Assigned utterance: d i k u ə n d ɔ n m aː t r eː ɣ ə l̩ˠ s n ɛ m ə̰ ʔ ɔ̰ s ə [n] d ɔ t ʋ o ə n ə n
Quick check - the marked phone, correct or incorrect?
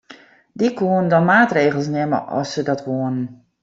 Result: incorrect